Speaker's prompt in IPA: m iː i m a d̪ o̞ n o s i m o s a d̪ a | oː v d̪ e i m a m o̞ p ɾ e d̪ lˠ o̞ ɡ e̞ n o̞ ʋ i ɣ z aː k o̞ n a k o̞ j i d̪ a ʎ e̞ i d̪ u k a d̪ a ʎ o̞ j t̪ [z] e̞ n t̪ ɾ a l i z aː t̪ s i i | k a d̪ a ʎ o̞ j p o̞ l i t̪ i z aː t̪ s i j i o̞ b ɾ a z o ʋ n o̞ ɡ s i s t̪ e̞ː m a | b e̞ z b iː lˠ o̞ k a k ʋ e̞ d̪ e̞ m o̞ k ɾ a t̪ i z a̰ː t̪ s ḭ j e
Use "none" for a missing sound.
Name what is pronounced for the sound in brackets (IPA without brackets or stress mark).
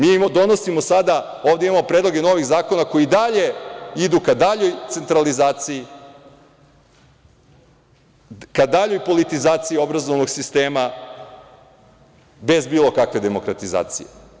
s